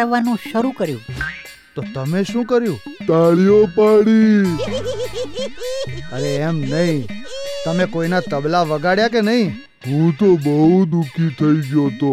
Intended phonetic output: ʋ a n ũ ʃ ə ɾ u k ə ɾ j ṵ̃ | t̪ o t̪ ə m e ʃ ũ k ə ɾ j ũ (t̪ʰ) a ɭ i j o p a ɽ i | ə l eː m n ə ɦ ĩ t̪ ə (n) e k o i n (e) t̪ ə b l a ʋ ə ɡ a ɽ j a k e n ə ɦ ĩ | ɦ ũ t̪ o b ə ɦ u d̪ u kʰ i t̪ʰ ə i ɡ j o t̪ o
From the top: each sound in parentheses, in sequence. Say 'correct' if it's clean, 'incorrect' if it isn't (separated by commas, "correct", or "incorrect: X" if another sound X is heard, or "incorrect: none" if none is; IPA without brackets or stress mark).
incorrect: t̪, incorrect: m, incorrect: a